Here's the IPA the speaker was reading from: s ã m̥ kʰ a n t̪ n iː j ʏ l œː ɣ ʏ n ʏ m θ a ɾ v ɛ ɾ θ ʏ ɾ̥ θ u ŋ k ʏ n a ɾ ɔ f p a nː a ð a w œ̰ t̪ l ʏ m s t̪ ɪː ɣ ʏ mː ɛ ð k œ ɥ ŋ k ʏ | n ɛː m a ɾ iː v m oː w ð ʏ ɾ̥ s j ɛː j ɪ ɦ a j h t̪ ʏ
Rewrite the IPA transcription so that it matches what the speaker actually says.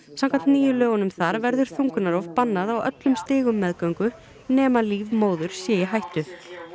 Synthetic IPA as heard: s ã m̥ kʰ a n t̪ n iː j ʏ l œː ɣ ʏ n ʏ m θ a ɾ v ɛ ɾ ð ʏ ɾ̥ θ u ŋ k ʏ n a ɾ ɔ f p a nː a ð a w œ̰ t̪ l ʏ m s t̪ ɪː ɣ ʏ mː ɛ ð k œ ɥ ŋ k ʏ | n ɛː m a l iː v m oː w ð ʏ ɾ̥ s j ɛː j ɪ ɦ a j h t̪ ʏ